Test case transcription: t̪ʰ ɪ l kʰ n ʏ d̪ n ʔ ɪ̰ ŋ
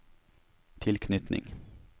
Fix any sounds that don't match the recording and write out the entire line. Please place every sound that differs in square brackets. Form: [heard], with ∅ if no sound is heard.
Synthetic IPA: t̪ʰ ɪ l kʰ n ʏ [t̪] n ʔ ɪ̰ ŋ

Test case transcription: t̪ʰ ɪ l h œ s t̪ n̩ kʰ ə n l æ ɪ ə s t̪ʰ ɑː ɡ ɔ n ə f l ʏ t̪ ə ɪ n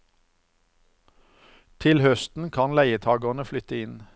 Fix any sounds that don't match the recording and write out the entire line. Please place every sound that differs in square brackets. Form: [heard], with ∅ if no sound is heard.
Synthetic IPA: t̪ʰ ɪ l h œ s t̪ n̩ kʰ [ɑ] n l æ ɪ ə [∅] t̪ʰ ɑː ɡ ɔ n ə f l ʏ t̪ ə ɪ n

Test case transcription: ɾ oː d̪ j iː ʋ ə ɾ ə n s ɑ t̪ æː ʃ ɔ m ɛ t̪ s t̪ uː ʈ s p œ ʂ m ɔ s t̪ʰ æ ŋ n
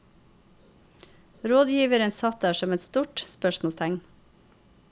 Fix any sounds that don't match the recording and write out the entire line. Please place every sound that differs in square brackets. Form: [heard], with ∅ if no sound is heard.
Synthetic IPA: ɾ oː d̪ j iː ʋ ə ɾ ə n s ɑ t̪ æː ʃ ɔ m ɛ t̪ s t̪ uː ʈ s p œ [ʃ] m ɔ s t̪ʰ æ ŋ n

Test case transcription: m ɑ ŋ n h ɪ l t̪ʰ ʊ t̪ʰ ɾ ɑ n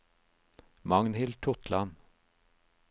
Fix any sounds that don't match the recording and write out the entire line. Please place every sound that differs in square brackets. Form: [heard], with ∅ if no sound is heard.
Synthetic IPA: m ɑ ŋ n h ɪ l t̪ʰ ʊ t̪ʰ [l] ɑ n

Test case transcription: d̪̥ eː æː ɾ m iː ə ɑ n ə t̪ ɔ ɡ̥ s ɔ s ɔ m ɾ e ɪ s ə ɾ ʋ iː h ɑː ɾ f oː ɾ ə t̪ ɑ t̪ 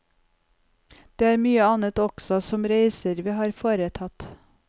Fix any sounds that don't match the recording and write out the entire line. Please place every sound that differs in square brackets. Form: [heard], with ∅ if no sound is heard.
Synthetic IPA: d̪̥ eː æː ɾ m [yː] ə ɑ n ə t̪ ɔ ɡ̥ s ɔ s ɔ m ɾ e ɪ s ə ɾ ʋ iː h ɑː ɾ f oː ɾ ə [t̪ʰ] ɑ t̪

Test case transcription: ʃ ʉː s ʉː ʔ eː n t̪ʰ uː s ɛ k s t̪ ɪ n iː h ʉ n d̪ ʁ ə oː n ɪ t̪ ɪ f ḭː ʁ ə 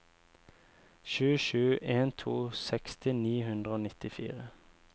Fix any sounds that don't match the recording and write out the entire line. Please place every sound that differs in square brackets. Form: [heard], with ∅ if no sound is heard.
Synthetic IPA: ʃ ʉː [ʃ] ʉː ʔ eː n t̪ʰ uː s ɛ k s t̪ ɪ n iː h ʉ n d̪ ʁ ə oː n ɪ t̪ ɪ f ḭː ʁ ə

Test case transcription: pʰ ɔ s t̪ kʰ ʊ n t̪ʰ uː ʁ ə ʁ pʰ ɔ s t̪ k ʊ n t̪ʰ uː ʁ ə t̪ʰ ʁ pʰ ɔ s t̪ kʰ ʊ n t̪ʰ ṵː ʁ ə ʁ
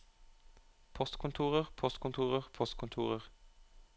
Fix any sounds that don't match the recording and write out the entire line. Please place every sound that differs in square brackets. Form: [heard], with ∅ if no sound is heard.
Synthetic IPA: pʰ ɔ s t̪ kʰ ʊ n t̪ʰ uː ʁ ə ʁ pʰ ɔ s t̪ k ʊ n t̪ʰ uː ʁ ə [∅] ʁ pʰ ɔ s t̪ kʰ ʊ n t̪ʰ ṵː ʁ ə ʁ

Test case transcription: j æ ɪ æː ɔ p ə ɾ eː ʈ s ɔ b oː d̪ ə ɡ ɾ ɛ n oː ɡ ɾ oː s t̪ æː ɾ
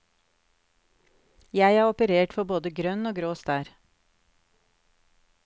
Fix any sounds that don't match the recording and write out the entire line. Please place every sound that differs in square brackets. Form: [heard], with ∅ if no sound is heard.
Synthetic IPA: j æ ɪ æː ɔ p ə ɾ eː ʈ [f] ɔ b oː d̪ ə ɡ ɾ [œ] n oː ɡ ɾ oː s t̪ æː ɾ

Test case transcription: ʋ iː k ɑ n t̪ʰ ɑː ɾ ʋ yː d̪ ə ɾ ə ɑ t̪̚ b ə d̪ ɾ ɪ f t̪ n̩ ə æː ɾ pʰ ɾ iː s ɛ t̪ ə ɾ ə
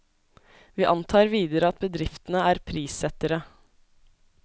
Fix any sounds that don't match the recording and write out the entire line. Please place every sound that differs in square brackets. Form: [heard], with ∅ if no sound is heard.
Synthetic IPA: ʋ iː [ʔ] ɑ n t̪ʰ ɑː ɾ ʋ [iː] d̪ ə ɾ ə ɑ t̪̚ b ə d̪ ɾ ɪ f t̪ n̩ ə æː ɾ pʰ ɾ iː s ɛ t̪ ə ɾ ə

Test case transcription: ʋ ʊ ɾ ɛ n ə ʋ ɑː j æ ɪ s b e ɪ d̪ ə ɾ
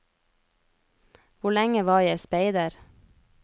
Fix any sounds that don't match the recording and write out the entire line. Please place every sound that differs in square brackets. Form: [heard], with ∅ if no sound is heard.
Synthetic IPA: ʋ ʊ [ɭ] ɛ [ŋ] ə ʋ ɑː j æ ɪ s [p] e ɪ d̪ ə ɾ

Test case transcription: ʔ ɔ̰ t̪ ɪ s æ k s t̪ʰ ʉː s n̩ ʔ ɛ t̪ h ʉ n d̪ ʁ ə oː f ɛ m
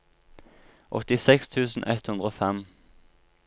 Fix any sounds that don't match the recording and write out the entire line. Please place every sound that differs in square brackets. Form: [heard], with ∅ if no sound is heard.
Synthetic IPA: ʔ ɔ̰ t̪ ɪ s [ɛ] k s t̪ʰ ʉː s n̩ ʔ ɛ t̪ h ʉ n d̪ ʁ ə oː f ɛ m

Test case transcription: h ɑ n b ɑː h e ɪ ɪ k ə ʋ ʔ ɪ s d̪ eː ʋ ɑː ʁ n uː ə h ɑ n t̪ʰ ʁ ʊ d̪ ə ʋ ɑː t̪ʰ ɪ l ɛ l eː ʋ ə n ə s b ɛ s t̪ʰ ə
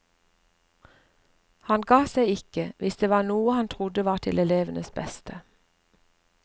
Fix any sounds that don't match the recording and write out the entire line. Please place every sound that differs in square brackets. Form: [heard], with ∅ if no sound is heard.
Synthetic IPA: h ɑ n [ɡ] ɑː [s] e ɪ ɪ k ə ʋ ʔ ɪ s d̪ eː ʋ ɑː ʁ n uː ə h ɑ n t̪ʰ ʁ ʊ d̪ ə ʋ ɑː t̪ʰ ɪ l ɛ l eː ʋ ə n ə s b ɛ s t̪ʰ ə

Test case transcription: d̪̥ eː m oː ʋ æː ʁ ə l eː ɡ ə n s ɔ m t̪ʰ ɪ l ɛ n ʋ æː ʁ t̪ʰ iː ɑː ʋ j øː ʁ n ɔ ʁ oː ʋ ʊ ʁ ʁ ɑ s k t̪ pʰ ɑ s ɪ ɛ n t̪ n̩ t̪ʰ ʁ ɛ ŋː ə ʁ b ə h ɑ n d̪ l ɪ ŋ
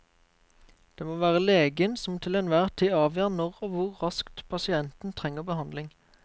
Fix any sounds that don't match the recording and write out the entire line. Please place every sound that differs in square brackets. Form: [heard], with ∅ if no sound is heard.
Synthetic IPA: d̪̥ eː m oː ʋ æː ʁ ə l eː ɡ ə n s ɔ m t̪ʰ ɪ l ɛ n ʋ æː ʁ t̪ʰ iː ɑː ʋ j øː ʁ n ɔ ʁ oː ʋ ʊ ʁ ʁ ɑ s k t̪ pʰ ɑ s ɪ ɛ n t̪ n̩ t̪ʰ ʁ ɛ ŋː ə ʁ b ə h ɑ n d̪ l ɪ ŋ

